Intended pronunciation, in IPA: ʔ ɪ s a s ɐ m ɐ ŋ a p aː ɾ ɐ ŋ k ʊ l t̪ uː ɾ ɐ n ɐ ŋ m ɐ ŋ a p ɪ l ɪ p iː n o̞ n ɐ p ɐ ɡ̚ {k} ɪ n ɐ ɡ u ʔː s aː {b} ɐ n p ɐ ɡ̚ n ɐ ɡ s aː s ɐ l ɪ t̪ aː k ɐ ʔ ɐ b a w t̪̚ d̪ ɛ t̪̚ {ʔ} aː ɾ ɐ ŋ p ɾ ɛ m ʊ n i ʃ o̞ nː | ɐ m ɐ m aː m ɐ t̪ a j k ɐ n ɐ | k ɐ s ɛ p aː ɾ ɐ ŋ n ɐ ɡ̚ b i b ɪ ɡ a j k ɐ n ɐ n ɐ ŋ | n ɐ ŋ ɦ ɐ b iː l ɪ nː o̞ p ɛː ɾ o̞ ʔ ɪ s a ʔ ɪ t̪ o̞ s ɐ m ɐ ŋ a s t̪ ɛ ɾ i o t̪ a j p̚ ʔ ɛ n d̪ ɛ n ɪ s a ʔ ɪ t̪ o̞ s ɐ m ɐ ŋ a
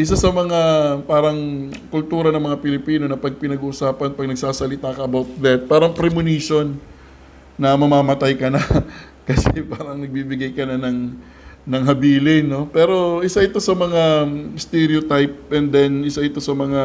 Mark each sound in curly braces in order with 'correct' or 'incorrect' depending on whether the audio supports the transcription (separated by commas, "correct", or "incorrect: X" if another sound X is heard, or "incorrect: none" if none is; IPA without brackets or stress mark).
incorrect: p, incorrect: p, incorrect: p